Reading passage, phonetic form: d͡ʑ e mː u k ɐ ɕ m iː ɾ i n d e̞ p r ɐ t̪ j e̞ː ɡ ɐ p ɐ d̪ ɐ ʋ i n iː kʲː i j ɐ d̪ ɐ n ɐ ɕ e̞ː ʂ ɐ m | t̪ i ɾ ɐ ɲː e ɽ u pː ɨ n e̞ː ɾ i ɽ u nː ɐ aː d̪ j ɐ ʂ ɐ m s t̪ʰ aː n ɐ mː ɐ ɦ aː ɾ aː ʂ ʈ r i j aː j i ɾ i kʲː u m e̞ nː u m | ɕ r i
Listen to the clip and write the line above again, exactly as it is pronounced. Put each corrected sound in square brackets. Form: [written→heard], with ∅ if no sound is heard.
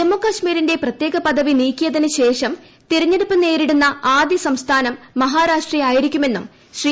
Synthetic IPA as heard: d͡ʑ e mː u k ɐ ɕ m iː ɾ i n d e̞ p r ɐ t̪ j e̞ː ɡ ɐ p ɐ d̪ ɐ ʋ i n iː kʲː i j ɐ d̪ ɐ n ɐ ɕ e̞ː ʂ ɐ m | t̪ i ɾ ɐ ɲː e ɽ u pː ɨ n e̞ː ɾ i ɽ u nː ɐ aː d̪ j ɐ [ʂ→s] ɐ m s t̪ʰ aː n ɐ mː ɐ ɦ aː ɾ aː ʂ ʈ r i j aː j i ɾ i kʲː u m e̞ nː u m | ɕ r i